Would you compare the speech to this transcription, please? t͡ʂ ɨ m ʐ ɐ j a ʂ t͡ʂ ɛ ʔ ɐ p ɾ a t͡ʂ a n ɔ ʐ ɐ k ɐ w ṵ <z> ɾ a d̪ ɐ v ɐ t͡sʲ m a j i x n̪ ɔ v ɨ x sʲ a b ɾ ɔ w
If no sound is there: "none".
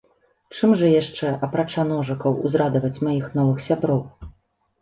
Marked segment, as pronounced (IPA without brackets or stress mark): z